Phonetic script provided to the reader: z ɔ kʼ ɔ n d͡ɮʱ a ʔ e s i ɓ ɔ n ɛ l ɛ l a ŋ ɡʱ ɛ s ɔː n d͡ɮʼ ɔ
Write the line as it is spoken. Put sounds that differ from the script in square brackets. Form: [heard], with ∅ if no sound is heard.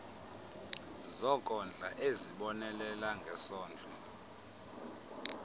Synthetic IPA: z ɔ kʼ ɔ n d͡ɮʱ a ʔ e [z] i ɓ ɔ n ɛ l ɛ l a ŋ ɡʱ ɛ s ɔː n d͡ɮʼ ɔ